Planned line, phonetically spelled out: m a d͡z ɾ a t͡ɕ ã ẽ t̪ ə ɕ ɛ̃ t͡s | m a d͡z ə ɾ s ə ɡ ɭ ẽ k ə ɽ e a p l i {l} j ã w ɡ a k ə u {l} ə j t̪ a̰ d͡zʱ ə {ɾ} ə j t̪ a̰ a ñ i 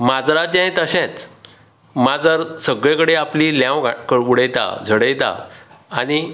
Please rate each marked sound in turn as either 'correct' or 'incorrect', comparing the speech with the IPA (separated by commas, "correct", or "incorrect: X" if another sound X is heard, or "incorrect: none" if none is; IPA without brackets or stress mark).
correct, incorrect: ɽ, incorrect: ɽ